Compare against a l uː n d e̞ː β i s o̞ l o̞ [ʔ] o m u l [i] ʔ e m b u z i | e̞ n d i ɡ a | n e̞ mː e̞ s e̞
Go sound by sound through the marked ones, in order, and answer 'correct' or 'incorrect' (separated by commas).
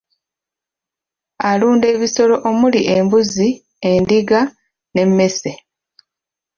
correct, correct